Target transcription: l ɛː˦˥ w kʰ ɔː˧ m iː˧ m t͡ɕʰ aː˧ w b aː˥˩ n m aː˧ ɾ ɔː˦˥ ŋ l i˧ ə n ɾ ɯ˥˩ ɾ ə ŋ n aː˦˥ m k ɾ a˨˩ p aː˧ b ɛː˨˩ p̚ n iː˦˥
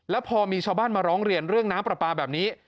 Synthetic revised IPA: l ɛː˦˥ w pʰ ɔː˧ m iː˧ t͡ɕʰ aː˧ w b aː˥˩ n m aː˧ ɾ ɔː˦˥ ŋ ɾ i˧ ə n ɾ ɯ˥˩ ə ŋ n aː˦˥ m p ɾ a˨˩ p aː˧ b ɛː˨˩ p̚ n iː˦˥